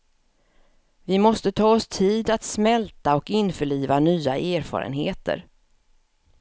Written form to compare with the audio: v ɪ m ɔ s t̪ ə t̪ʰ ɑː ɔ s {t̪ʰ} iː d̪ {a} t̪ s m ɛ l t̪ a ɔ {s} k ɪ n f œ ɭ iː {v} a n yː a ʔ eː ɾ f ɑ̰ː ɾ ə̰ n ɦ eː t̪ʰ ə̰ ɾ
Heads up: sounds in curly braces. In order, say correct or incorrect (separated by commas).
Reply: correct, correct, incorrect, correct